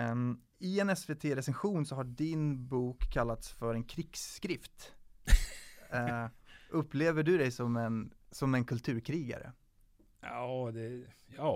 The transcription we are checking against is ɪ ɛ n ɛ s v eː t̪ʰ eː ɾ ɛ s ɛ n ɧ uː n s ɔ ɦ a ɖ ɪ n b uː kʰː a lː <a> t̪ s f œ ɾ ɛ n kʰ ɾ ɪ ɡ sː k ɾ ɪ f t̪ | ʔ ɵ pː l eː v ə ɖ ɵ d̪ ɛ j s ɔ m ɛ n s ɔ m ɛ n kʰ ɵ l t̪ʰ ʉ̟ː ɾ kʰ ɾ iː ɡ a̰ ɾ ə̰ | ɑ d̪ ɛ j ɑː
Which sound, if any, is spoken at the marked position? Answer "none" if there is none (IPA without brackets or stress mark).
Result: a